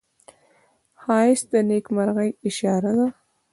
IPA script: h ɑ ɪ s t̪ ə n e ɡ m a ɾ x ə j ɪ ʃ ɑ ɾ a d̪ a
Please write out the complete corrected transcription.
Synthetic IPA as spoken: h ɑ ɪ s d̪ ə n e k m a ɾ ɣ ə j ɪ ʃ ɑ ɾ a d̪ a